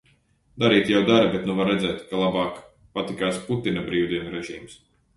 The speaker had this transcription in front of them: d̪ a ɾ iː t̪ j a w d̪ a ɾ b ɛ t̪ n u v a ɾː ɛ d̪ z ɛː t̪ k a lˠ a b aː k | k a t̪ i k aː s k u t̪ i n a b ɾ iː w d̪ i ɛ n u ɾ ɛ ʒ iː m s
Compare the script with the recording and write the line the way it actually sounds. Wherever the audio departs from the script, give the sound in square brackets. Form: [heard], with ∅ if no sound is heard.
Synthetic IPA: d̪ a ɾ iː t̪ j a w d̪ a ɾ b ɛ t̪ n u v a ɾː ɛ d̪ z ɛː t̪ k a lˠ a b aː k | [p] a t̪ i k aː s [p] u t̪ i n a b ɾ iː w d̪ i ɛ n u ɾ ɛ ʒ iː m s